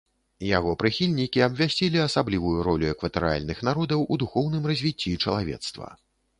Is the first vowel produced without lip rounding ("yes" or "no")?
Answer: yes